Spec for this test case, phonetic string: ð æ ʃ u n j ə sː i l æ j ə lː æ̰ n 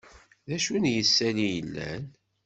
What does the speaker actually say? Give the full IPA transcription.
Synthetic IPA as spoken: ð æ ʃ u n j ə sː æ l i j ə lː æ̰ n